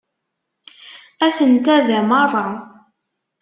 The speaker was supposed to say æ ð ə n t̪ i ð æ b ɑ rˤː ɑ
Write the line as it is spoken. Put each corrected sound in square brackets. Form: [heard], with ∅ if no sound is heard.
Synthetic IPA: æ [θ] ə n t̪ [æ] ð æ [m] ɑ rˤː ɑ